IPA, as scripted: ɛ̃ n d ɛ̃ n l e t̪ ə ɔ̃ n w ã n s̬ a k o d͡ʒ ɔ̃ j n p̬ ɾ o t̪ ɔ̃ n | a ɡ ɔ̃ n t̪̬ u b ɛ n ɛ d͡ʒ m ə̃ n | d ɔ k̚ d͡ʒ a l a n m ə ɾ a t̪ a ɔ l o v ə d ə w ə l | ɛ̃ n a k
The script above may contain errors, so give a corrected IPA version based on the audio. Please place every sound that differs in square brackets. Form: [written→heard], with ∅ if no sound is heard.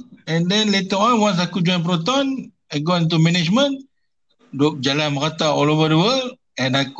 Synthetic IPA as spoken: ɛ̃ n d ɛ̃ n l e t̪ ə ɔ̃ n w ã n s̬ a k [o→u] d͡ʒ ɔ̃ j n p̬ ɾ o t̪ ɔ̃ n | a ɡ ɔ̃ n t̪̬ u [b→m] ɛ n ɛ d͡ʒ m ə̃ n | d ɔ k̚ d͡ʒ a l a n m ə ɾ a t̪ a ɔ l o v ə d ə w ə l | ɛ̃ n a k